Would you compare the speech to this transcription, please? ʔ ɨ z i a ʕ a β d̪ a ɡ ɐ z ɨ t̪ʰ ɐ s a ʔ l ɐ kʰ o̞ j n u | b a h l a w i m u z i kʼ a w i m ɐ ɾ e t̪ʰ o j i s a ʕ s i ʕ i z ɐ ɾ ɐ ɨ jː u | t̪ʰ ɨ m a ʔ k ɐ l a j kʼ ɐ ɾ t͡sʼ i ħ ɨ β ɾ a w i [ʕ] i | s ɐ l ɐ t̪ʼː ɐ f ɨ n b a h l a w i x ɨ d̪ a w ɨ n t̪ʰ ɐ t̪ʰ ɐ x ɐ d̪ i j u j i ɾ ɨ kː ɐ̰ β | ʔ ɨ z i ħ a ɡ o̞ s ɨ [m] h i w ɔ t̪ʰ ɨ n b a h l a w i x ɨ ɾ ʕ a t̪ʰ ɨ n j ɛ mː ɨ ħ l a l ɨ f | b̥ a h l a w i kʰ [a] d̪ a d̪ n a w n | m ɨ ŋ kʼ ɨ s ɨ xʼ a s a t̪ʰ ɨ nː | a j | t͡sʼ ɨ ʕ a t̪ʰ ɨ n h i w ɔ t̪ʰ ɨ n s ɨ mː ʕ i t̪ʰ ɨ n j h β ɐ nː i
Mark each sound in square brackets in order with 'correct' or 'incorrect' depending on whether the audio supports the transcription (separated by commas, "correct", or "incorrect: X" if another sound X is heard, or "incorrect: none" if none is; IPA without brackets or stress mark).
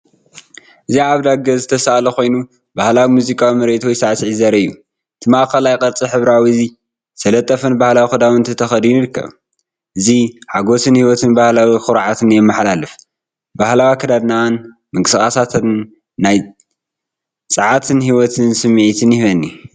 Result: incorrect: z, incorrect: n, incorrect: ɐ